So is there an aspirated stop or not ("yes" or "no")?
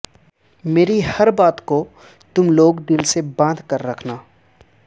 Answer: yes